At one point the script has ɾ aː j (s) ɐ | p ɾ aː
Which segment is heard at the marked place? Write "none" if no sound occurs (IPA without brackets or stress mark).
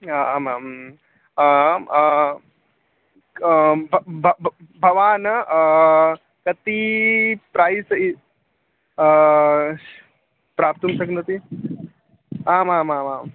s